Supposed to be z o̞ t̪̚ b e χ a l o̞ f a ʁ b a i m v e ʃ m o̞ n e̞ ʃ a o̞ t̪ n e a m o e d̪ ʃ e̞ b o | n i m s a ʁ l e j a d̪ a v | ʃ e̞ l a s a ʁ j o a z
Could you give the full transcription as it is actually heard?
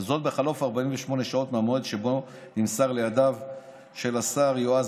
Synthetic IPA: z o̞ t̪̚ b e χ a l o̞ f a ʁ b a i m v e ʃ m o̞ n e̞ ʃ a o̞ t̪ m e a m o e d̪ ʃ e̞ b o | n i m s a ʁ l e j a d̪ a v | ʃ e̞ l a s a ʁ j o a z